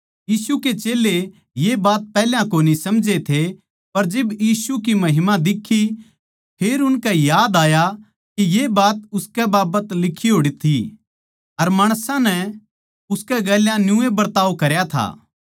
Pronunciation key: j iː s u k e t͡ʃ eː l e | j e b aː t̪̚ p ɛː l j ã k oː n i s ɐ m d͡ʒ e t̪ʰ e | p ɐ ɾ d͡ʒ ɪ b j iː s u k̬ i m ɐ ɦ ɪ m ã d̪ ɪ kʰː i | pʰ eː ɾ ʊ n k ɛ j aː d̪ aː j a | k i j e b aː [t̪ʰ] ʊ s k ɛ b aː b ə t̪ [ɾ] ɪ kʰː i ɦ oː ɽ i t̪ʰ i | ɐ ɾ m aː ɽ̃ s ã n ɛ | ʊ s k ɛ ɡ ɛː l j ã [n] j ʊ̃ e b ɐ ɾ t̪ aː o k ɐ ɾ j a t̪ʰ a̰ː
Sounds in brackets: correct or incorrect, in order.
incorrect: t̪, incorrect: l, correct

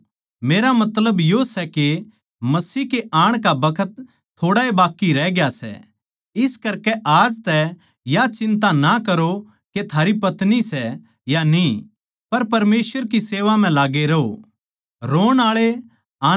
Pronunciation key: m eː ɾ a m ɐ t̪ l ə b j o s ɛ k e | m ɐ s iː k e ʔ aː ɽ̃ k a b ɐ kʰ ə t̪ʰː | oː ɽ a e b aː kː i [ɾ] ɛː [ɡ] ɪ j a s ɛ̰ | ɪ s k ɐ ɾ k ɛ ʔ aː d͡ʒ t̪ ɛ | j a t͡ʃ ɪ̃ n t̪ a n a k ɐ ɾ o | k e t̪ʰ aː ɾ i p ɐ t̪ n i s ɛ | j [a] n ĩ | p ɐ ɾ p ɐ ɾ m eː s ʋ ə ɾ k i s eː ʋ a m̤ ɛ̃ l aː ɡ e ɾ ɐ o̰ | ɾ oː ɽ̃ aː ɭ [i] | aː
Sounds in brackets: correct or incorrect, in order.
correct, correct, correct, incorrect: e

